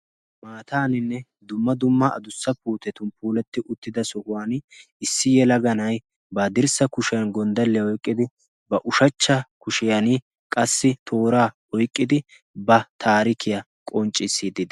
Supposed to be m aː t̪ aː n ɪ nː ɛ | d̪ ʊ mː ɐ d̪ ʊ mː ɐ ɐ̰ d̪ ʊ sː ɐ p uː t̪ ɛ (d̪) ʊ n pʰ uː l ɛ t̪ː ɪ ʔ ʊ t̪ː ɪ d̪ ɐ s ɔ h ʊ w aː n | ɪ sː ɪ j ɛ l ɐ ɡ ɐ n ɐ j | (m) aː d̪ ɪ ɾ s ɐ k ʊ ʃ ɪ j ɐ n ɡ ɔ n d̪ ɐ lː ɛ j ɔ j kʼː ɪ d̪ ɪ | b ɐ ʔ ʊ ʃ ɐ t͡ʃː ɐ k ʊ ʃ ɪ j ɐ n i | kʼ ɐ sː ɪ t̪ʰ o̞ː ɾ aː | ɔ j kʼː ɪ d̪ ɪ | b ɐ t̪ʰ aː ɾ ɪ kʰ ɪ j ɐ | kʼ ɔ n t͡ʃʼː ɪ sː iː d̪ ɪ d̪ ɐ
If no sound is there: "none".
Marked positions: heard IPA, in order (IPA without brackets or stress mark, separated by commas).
t̪, b